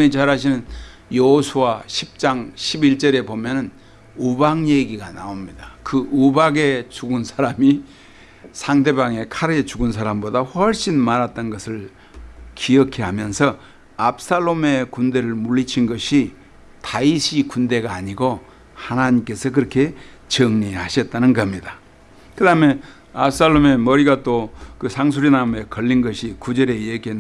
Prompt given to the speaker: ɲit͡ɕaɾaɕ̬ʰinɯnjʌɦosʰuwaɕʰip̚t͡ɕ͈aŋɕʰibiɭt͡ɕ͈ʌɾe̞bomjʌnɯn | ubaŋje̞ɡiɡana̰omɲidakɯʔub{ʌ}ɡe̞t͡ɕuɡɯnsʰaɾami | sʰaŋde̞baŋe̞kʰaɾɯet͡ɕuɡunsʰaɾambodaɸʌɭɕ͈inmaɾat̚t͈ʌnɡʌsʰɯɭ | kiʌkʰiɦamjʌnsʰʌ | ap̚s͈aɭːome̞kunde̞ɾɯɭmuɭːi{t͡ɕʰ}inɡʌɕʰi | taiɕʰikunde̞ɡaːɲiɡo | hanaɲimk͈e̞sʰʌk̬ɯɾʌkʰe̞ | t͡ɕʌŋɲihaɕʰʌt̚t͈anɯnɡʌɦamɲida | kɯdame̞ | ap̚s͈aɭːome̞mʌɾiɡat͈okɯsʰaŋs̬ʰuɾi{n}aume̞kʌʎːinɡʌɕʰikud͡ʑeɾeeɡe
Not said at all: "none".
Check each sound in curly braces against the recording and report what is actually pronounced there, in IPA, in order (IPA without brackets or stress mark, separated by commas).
a, t͡ɕʰ, n